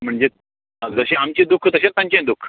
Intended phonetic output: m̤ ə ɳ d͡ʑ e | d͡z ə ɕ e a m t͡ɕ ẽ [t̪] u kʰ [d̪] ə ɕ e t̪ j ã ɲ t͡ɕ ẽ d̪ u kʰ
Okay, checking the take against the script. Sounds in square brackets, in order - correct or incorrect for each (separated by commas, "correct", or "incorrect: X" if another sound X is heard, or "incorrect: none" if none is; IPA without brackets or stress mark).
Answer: incorrect: d̪, incorrect: t̪